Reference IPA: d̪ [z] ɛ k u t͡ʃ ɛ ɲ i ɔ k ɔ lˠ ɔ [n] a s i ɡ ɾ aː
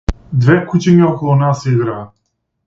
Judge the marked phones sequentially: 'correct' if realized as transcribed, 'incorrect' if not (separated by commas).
incorrect, correct